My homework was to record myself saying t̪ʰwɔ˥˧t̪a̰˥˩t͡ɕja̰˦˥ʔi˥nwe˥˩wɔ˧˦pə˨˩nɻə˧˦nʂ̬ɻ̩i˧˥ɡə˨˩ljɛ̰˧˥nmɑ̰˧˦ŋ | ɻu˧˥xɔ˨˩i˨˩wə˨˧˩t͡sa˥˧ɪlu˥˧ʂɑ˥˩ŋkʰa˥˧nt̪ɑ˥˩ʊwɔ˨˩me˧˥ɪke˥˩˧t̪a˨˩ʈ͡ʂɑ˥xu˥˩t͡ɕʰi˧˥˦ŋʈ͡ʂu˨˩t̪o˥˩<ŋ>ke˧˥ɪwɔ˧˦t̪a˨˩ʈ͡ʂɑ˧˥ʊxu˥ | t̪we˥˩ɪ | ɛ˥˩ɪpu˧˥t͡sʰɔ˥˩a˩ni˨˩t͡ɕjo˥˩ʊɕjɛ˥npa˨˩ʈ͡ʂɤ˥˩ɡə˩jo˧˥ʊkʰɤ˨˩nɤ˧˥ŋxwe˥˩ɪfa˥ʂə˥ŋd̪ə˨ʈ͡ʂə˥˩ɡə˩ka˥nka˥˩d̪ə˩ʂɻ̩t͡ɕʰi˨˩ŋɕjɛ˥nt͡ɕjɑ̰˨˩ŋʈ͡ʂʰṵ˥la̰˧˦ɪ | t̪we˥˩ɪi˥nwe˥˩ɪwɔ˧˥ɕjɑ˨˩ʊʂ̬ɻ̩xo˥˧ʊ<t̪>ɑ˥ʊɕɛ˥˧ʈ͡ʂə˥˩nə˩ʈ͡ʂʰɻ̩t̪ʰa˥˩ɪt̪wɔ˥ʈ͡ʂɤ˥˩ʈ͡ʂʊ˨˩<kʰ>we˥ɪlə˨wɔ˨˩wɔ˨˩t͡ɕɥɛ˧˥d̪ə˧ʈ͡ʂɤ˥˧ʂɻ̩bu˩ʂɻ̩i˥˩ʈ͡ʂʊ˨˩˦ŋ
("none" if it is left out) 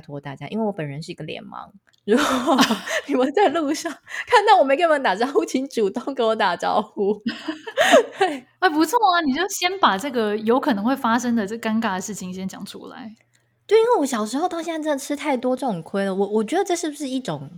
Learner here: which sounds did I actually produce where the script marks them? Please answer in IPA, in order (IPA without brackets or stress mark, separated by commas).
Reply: ŋ, t̪, kʰ